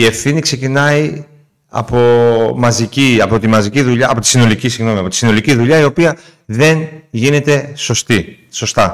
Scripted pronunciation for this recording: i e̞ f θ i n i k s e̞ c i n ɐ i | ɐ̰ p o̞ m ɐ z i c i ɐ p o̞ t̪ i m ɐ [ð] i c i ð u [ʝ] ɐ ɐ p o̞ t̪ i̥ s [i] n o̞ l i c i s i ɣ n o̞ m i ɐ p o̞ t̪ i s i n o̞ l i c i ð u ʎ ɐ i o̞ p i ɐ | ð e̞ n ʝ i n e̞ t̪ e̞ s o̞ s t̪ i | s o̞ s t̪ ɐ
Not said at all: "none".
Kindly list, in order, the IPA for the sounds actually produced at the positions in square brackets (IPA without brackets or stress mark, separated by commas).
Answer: z, ʎ, i